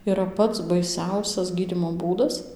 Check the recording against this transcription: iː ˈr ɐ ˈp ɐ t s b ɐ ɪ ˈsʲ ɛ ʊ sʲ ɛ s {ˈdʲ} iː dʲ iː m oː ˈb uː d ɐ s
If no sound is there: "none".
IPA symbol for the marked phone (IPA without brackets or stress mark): ɡʲ